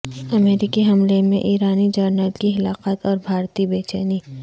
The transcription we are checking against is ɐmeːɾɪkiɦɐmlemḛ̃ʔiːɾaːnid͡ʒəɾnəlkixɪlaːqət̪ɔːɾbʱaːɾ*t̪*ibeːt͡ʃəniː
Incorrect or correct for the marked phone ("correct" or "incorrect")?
correct